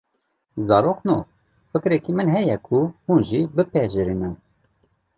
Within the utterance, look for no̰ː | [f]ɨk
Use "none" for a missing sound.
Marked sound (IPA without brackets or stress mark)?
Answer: f